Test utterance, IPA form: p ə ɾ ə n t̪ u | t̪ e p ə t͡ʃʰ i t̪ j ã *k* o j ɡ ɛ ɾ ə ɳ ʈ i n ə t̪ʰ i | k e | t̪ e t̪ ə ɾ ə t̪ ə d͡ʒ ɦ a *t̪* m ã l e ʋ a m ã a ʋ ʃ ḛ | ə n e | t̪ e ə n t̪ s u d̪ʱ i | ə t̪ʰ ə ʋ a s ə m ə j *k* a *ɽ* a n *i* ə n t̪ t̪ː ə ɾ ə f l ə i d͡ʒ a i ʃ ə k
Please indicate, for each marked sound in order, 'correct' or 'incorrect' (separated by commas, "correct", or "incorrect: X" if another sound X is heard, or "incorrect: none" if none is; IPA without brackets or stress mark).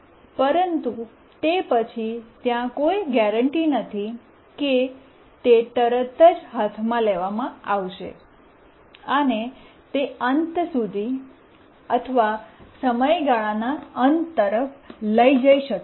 correct, incorrect: t̪ʰ, incorrect: ɡ, incorrect: ɭ, incorrect: a